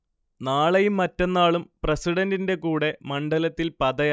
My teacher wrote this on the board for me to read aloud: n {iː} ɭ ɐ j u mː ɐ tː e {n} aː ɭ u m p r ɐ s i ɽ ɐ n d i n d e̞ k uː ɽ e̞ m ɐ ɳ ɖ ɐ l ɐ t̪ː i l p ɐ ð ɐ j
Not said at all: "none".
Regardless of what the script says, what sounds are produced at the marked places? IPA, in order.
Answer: aː, nː

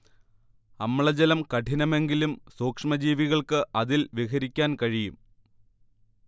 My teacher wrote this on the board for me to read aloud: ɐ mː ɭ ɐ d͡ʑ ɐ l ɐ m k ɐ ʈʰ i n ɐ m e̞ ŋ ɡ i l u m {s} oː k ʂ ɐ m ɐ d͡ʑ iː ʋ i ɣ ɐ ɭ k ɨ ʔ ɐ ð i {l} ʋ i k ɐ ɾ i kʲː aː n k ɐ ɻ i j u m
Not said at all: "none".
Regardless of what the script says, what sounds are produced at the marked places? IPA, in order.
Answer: s, l

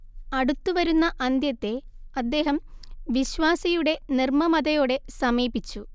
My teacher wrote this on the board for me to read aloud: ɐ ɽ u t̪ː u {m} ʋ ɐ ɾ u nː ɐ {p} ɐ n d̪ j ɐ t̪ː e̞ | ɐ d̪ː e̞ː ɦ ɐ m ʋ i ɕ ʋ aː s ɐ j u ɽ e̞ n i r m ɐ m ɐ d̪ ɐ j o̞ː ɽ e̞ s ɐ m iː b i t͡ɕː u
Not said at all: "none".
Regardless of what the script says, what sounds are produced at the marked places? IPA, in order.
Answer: none, ʔ

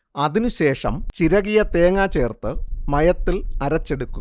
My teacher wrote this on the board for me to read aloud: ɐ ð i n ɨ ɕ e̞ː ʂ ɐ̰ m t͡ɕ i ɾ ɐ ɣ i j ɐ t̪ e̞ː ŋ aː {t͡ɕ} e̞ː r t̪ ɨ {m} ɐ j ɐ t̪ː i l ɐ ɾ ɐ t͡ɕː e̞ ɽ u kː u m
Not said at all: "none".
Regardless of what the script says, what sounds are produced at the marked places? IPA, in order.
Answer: t͡ɕ, m

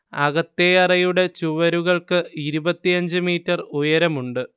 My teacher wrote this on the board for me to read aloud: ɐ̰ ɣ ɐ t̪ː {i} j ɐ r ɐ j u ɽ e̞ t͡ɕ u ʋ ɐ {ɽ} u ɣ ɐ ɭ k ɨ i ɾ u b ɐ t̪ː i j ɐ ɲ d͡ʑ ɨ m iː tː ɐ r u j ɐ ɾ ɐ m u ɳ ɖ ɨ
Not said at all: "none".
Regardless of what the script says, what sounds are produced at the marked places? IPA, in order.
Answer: e, ɾ

